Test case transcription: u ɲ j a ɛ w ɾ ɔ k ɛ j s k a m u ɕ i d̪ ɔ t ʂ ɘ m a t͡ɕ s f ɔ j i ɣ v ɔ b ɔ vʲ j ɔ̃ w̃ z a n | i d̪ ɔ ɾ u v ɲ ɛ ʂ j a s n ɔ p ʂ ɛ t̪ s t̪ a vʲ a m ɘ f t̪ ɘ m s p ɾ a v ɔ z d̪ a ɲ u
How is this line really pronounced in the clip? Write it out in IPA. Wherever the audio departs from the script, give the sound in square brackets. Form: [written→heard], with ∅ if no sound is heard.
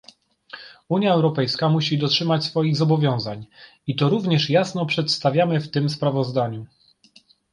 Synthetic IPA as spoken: u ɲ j a ɛ w ɾ ɔ [k→p] ɛ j s k a m u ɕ i d̪ ɔ t ʂ ɘ m a t͡ɕ s f ɔ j i ɣ [v→z] ɔ b ɔ vʲ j ɔ̃ w̃ z a [n→ɲ] | i [d̪→t̪] ɔ ɾ u v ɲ ɛ ʂ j a s n ɔ p ʂ ɛ t̪ s t̪ a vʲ a m ɘ f t̪ ɘ m s p ɾ a v ɔ z d̪ a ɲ u